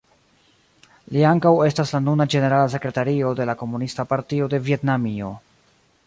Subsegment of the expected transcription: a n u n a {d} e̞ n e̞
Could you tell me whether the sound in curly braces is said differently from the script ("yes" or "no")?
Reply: yes